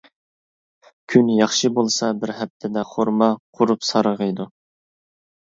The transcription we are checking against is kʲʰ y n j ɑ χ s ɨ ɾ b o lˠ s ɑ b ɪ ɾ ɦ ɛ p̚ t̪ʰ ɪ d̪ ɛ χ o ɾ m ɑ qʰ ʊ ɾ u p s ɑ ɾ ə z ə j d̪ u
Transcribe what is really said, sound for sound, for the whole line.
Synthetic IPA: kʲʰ y n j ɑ χ ʃ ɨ b o lˠ s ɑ b ɪ ɾ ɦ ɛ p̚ t̪ʰ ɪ d̪ ɛ χ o ɾ m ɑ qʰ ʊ ɾ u p s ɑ ɾ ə ʁ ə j d̪ u